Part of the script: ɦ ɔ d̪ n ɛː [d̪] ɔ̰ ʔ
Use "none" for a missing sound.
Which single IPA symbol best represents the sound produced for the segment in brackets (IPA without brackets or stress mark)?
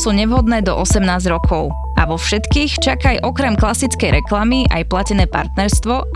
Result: d̪